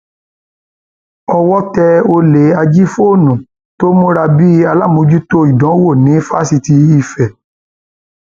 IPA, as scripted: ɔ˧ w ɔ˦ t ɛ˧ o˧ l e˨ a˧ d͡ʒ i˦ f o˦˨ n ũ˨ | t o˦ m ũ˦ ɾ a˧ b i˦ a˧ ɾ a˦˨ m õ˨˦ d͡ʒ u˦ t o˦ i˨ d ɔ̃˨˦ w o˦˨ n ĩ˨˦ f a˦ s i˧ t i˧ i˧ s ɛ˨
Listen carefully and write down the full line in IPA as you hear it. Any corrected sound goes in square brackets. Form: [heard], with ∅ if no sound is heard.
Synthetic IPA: ɔ˧ w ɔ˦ t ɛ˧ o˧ l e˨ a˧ d͡ʒ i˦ f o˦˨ n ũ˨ | t o˦ m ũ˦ ɾ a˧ b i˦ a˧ [l] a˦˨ m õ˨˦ d͡ʒ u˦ t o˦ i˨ d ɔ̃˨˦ w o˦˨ n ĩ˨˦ f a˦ s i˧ t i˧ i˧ [f] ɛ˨